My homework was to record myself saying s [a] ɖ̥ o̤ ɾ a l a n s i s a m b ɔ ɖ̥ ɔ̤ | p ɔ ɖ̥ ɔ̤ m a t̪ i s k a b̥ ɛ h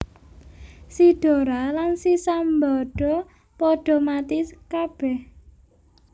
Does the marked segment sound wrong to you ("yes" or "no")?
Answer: yes